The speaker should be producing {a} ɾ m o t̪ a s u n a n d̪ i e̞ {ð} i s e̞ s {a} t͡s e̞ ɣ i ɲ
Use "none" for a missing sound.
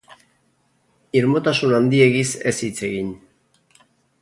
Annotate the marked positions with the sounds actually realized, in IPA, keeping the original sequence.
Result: i, ɣ, i

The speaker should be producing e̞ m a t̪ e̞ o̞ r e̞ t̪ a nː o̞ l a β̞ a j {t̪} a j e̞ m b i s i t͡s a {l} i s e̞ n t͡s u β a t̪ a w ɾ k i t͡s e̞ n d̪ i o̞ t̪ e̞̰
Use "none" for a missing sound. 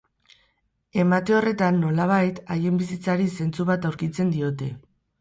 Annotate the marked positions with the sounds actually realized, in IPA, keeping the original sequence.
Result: t̪, ɾ

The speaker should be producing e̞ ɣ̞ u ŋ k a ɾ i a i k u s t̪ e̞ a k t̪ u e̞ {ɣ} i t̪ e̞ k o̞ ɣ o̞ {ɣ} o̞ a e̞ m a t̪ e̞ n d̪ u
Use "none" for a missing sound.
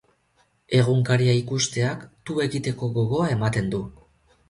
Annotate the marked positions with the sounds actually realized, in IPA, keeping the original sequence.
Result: ɣ, ɣ

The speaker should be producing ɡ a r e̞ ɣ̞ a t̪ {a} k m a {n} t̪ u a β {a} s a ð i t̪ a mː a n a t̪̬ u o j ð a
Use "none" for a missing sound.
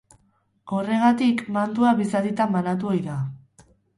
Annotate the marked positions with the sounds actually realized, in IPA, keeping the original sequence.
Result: i, n, i

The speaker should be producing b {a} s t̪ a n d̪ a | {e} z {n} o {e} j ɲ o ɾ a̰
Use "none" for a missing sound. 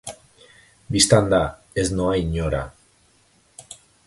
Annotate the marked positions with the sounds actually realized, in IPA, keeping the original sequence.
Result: i, e, n, a

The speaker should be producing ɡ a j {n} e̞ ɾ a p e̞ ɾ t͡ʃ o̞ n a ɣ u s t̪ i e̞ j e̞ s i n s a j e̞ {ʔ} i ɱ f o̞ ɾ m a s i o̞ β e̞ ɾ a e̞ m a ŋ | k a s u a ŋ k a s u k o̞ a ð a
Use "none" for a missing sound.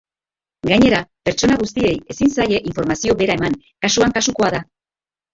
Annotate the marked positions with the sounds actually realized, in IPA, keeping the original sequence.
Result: ɲ, ʔ

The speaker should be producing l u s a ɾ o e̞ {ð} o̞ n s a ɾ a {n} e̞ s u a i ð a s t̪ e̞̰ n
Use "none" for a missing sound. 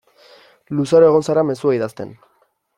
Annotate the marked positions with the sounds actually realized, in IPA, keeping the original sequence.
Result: ɣ, m

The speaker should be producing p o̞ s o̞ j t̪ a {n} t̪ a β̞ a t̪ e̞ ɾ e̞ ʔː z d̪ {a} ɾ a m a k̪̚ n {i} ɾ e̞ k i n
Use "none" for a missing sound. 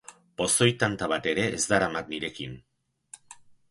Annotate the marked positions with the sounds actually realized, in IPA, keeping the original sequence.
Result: n, a, i

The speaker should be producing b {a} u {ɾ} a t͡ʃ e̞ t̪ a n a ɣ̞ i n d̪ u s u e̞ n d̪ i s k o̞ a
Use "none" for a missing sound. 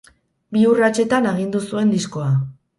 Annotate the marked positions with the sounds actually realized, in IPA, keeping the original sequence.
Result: i, r

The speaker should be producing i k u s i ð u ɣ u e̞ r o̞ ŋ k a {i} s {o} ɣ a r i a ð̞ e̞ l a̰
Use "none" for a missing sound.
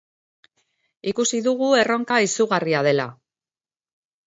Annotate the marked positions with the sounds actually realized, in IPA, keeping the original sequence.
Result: i, u

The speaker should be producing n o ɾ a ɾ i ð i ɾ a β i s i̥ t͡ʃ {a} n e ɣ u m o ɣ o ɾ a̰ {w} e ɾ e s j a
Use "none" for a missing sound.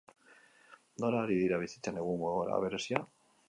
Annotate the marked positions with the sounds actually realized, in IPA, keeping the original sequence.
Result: a, β

